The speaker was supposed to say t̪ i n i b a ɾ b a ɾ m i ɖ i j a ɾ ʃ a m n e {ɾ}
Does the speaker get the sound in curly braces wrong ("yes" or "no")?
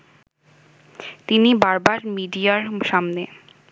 yes